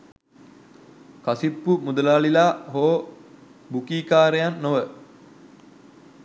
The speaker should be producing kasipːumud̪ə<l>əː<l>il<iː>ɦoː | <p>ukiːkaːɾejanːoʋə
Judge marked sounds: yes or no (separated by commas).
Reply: yes, yes, no, no